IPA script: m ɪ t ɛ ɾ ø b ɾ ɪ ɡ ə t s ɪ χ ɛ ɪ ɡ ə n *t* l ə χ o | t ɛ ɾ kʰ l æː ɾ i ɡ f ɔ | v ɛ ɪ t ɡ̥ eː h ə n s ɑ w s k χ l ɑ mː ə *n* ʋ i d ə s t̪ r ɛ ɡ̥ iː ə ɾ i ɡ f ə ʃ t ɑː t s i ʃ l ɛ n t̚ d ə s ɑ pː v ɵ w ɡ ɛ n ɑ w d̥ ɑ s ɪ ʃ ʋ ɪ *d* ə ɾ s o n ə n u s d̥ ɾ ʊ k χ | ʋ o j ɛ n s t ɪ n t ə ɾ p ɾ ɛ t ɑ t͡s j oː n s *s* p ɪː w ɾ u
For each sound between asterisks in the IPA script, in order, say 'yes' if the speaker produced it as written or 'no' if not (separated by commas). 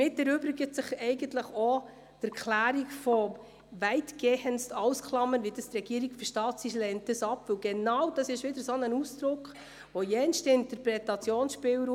yes, yes, yes, no